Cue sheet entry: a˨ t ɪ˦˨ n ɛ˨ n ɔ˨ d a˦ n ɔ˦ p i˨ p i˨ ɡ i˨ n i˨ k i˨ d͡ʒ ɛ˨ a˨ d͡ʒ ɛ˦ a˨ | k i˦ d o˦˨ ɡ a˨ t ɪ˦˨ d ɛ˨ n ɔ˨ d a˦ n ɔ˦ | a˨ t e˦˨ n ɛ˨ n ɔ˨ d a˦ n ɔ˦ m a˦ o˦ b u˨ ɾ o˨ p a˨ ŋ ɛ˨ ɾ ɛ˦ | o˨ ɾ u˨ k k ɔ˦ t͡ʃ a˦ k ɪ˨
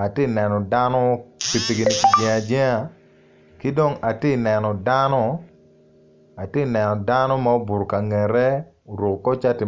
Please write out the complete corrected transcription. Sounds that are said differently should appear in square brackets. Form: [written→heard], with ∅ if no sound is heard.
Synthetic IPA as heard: a˨ t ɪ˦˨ n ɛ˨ n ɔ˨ d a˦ n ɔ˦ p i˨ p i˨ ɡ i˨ n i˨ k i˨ d͡ʒ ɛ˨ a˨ d͡ʒ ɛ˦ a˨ | k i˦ d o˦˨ [ɡ→ŋ] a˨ t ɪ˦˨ [d→n] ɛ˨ n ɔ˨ d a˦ n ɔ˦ | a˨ t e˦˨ n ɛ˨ n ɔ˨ d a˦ n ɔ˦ m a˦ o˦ b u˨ ɾ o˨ [p→k] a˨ ŋ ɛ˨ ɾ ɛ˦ | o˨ ɾ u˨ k k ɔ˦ t͡ʃ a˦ [k→t] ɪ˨